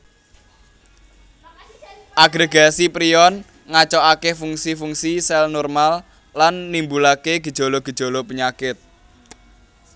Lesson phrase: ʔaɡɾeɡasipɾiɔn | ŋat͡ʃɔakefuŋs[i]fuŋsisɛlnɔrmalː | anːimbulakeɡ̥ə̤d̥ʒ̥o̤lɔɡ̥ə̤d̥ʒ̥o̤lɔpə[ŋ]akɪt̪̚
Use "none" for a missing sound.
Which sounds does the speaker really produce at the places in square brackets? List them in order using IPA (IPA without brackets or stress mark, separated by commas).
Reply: i, ɲ